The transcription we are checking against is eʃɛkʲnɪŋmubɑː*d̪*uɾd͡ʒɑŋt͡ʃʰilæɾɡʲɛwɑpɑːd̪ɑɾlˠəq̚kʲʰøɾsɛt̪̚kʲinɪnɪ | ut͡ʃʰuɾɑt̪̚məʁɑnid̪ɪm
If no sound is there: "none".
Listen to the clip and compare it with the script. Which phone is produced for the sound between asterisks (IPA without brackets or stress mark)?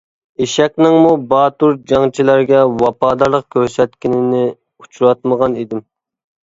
t̪